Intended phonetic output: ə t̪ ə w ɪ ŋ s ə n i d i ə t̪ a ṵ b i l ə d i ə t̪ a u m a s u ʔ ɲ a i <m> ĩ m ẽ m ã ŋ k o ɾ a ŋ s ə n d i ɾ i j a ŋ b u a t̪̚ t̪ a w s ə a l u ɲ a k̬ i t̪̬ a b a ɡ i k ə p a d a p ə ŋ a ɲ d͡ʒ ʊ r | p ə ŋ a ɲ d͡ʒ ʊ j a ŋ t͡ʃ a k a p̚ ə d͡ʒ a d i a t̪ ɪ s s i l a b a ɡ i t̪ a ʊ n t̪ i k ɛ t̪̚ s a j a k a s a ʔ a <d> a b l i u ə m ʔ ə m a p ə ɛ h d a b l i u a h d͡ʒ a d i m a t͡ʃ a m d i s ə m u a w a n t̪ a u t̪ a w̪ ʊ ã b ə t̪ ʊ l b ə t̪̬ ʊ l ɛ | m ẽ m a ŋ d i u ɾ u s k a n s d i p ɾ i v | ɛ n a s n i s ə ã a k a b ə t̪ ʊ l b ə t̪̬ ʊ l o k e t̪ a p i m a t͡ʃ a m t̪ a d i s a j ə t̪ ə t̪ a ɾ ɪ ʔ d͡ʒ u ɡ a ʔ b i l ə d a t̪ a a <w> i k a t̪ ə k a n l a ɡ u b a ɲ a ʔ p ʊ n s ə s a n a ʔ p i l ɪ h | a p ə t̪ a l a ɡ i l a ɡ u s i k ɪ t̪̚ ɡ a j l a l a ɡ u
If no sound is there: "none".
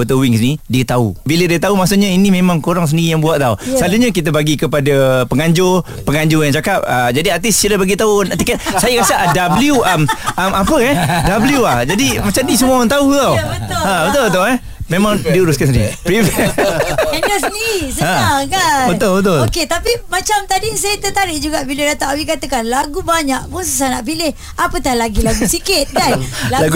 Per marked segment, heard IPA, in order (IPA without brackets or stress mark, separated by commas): n, d, w